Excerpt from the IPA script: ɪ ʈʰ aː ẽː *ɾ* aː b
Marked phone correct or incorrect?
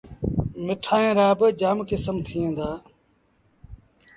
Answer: correct